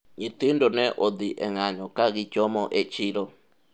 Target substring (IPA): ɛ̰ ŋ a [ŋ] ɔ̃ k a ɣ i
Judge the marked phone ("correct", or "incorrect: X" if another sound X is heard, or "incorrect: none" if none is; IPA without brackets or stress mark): incorrect: ɲ